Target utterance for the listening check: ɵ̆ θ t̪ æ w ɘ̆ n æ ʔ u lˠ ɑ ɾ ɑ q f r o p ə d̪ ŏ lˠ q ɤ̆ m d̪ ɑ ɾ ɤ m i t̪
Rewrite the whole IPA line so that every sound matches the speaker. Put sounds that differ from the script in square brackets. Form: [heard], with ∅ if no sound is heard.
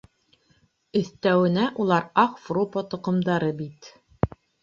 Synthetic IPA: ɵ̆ θ t̪ æ w ɘ̆ n æ ʔ u lˠ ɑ ɾ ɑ q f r o p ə [t̪] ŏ [∅] q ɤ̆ m d̪ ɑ ɾ ɤ [b] i t̪